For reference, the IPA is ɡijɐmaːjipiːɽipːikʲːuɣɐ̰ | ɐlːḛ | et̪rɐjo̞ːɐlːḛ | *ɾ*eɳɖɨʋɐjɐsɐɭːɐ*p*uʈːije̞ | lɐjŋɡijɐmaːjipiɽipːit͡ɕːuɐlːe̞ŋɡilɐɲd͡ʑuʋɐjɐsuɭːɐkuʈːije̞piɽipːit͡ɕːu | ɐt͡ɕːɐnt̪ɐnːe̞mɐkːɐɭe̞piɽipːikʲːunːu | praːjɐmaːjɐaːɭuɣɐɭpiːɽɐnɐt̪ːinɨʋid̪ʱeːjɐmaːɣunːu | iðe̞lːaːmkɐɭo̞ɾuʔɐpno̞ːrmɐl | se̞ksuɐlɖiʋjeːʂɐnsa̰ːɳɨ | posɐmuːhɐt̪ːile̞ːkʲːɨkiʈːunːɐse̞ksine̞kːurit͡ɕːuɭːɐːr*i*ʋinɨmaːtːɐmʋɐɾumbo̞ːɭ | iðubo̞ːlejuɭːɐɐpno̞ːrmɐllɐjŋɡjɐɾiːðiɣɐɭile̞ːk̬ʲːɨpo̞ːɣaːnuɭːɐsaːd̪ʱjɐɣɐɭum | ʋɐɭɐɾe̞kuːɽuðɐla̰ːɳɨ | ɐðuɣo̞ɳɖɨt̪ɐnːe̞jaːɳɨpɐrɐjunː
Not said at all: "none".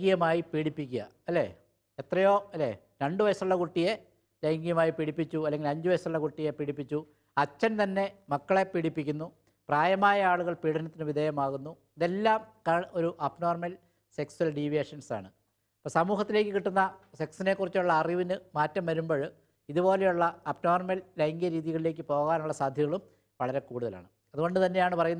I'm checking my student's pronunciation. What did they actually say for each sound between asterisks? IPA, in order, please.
ɾ, k, i

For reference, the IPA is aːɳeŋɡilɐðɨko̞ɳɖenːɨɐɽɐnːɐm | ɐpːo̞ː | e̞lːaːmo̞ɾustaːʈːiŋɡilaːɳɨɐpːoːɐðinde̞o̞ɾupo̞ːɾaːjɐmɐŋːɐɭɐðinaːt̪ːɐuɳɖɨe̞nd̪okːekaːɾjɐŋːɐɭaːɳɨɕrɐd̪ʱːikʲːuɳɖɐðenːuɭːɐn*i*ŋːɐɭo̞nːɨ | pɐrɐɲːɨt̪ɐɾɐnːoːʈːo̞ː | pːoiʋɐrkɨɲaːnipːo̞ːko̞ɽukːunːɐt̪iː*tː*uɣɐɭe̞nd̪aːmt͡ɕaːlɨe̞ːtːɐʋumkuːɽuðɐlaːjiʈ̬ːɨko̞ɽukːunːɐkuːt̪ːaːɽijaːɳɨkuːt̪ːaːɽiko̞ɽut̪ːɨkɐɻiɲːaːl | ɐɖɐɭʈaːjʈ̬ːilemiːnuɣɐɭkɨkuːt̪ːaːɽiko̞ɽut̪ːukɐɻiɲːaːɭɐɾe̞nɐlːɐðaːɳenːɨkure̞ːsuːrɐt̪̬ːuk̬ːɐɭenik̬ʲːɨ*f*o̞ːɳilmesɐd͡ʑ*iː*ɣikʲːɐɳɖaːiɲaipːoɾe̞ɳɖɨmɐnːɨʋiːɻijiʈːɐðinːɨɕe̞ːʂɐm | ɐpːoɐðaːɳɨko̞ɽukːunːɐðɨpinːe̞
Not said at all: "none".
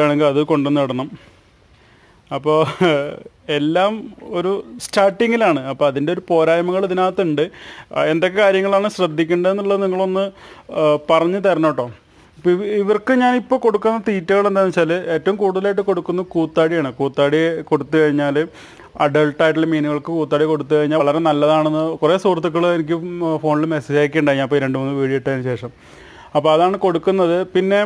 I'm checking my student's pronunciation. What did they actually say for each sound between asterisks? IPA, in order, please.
i, tː, f, aː

